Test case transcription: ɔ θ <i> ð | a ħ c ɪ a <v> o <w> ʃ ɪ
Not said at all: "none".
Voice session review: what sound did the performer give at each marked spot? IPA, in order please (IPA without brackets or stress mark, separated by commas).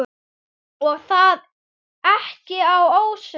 a, w, w